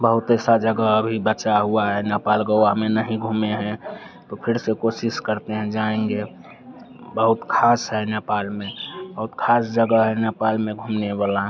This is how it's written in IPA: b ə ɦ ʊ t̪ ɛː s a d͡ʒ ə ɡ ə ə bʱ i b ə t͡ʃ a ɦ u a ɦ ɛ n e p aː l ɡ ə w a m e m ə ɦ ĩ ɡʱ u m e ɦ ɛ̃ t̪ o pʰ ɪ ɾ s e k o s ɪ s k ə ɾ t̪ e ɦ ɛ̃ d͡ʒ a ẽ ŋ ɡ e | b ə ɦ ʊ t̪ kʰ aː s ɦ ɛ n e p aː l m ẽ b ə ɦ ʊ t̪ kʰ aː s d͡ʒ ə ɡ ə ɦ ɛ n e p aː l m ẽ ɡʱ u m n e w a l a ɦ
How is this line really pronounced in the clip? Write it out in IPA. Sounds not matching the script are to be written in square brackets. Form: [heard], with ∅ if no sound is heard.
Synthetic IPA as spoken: b ə ɦ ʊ t̪ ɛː s a d͡ʒ ə ɡ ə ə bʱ i b ə t͡ʃ a ɦ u a ɦ ɛ n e p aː l ɡ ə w a m e [n] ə ɦ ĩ ɡʱ u m e ɦ ɛ̃ t̪ o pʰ ɪ ɾ s e k o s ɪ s k ə ɾ t̪ e ɦ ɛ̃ d͡ʒ a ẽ ŋ ɡ e | b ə ɦ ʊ t̪ kʰ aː s ɦ ɛ n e p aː l m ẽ b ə ɦ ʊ t̪ kʰ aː s d͡ʒ ə ɡ ə ɦ ɛ n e p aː l m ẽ ɡʱ u m n e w a l a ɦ